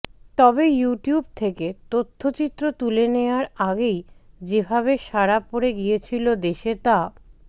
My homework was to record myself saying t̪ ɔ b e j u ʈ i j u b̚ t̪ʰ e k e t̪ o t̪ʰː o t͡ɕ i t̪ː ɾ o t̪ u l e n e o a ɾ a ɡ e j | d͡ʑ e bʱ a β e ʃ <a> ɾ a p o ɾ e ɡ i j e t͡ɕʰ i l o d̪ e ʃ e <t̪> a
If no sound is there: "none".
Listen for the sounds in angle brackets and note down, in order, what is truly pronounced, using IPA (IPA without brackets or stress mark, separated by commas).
a, t̪